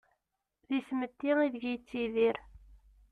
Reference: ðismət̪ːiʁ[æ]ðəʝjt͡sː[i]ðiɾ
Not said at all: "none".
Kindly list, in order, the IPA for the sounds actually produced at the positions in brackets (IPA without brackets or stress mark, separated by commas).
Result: i, i